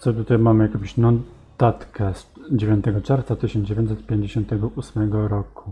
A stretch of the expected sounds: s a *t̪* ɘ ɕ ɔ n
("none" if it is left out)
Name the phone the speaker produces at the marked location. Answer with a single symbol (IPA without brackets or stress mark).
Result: t̪